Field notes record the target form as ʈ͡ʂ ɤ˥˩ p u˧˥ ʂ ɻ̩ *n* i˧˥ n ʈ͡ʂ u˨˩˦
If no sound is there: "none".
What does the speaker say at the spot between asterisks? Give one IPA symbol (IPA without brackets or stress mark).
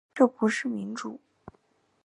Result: m